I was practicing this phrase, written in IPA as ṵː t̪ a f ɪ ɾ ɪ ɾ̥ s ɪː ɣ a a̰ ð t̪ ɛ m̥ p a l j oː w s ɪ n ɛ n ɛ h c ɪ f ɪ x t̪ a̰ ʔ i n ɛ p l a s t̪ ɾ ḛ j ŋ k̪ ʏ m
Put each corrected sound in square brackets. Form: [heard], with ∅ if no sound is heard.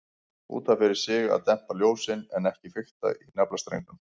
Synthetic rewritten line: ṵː t̪ a f ɪ ɾ ɪ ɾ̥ s ɪː ɣ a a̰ ð t̪ ɛ m̥ p a l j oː w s ɪ n ɛ n ɛ h c ɪ f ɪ x t̪ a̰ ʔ i n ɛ p l a s t̪ ɾ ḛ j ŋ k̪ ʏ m